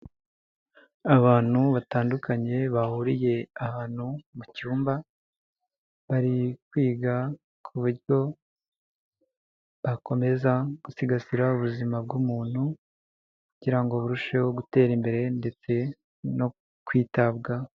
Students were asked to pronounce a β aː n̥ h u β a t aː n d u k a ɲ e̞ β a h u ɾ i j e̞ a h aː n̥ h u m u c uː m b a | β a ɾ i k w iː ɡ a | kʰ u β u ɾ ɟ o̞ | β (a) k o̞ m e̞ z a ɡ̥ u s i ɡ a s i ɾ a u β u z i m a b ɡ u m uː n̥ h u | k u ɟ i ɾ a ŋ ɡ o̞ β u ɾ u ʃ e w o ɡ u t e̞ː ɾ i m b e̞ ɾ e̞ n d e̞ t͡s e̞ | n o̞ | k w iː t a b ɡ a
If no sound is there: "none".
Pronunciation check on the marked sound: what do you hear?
a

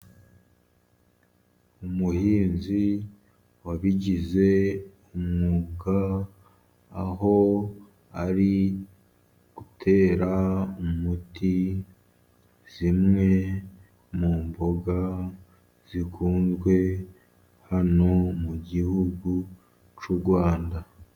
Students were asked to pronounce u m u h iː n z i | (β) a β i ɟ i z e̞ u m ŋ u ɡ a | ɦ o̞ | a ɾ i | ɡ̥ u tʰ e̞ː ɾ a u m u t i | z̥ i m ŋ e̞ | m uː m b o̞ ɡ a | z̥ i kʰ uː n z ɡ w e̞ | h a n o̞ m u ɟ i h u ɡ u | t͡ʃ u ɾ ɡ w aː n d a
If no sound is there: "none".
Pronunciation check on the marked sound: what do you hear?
w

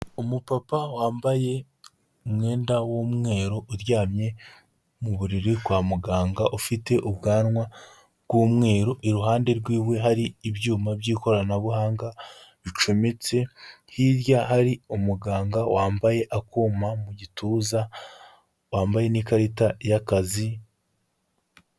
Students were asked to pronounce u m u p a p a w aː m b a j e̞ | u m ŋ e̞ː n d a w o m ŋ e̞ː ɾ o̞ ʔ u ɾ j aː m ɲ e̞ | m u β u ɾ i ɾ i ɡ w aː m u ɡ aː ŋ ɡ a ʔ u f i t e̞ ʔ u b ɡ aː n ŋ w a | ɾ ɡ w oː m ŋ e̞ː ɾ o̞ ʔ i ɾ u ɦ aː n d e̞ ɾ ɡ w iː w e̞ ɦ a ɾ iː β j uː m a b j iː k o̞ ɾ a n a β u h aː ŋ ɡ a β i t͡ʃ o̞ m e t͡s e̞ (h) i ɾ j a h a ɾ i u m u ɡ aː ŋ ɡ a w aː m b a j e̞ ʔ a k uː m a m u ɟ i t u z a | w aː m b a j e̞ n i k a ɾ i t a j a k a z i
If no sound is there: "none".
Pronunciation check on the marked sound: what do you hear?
h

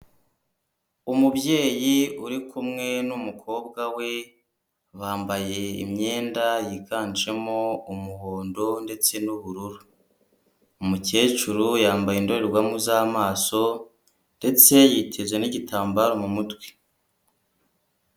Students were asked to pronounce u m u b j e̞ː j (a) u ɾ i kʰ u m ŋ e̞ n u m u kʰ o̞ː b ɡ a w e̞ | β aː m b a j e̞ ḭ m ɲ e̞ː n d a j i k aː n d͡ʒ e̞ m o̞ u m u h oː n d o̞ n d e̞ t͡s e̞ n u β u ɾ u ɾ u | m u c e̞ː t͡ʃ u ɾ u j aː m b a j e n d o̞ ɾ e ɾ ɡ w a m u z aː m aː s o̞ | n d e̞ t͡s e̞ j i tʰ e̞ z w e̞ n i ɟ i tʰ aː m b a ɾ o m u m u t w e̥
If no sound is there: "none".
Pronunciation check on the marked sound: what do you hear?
i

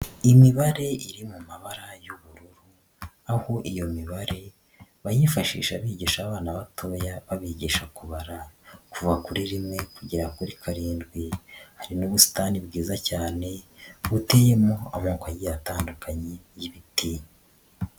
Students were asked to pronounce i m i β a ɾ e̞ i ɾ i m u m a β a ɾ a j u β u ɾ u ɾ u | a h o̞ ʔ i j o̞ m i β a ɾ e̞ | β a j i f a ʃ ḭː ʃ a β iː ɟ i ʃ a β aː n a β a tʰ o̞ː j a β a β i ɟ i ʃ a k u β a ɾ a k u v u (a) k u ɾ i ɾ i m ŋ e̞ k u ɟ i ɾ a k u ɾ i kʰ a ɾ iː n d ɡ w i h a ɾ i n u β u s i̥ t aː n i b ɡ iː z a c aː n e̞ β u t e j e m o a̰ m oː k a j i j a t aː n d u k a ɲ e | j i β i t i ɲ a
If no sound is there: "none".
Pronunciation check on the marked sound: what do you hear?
a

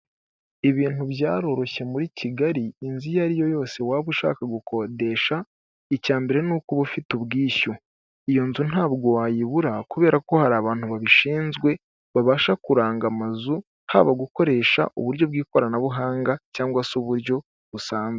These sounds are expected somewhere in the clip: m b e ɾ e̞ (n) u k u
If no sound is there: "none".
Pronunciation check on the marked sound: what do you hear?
n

